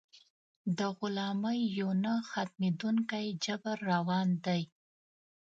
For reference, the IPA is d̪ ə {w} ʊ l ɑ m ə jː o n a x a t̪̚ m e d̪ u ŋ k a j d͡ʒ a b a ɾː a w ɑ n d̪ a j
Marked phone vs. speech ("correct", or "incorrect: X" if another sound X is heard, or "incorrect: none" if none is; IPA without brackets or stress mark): incorrect: ɣ